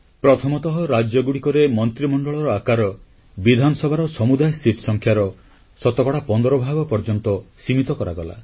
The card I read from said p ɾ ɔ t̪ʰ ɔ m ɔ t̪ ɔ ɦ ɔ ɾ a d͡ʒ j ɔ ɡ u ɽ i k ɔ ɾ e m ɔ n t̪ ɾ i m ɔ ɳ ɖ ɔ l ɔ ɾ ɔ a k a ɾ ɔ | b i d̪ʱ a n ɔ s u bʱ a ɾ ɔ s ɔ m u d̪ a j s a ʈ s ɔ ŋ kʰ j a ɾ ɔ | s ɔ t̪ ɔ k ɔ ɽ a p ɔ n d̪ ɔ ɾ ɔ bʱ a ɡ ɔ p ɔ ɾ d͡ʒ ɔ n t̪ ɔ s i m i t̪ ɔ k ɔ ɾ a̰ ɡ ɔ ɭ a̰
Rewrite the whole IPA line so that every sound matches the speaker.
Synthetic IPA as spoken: p ɾ ɔ t̪ʰ ɔ m ɔ t̪ ɔ ɦ ɔ ɾ a d͡ʒ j ɔ ɡ u ɽ i k ɔ ɾ e m ɔ n t̪ ɾ i m ɔ ɳ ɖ ɔ ɭ ɔ ɾ ɔ a k a ɾ ɔ | b i d̪ʱ a n ɔ s ɔ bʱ a ɾ ɔ s ɔ m u d̪ a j s i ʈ s ɔ ŋ kʰ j a ɾ ɔ | s ɔ t̪ ɔ k ɔ ɽ a p ɔ n d̪ ɔ ɾ ɔ bʱ a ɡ ɔ p ɔ ɾ d͡ʒ ɔ n t̪ ɔ s i m i t̪ ɔ k ɔ ɾ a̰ ɡ ɔ l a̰

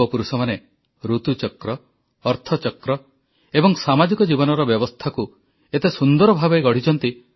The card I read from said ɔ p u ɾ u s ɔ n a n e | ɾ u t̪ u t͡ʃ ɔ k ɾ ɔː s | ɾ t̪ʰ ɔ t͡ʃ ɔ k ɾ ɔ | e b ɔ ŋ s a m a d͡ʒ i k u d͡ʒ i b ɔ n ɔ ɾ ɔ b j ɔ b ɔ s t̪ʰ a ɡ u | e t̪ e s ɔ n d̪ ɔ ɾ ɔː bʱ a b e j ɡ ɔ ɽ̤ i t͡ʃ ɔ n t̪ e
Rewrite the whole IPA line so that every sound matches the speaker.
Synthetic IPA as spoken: ɔ p u ɾ u s ɔ m a n e | ɾ u t̪ u t͡ʃ ɔ k ɾ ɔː | ɾ t̪ʰ ɔ t͡ʃ ɔ k ɾ ɔ | e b ɔ ŋ s a m a d͡ʒ i k ɔ d͡ʒ i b ɔ n ɔ ɾ ɔ b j ɔ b ɔ s t̪ʰ a k u | e t̪ e s u n d̪ ɔ ɾ ɔ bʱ a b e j ɡ ɔ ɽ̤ i t͡ʃ ɔ n t̪ i

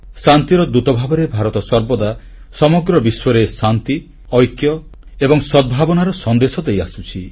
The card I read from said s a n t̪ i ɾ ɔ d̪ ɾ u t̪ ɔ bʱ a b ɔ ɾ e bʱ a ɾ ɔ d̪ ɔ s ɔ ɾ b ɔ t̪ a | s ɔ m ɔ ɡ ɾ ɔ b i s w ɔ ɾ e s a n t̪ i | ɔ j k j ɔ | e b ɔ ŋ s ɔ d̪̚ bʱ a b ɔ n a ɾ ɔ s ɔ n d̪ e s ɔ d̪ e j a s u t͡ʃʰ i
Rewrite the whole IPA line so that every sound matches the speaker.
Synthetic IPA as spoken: s a n t̪ i ɾ ɔ d̪ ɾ u t̪ ɔ bʱ a b ɔ ɾ e bʱ a ɾ ɔ t̪ ɔ s ɔ ɾ b ɔ d̪ a | s ɔ m ɔ ɡ ɾ ɔ b i s w ɔ ɾ e s a n t̪ i | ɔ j k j ɔ | e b ɔ ŋ s ɔ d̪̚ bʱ a b ɔ n a ɾ ɔ s ɔ n d̪ e s ɔ d̪ e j a s u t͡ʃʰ i

